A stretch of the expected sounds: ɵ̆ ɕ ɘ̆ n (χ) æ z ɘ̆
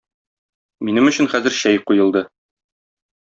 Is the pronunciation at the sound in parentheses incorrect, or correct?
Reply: correct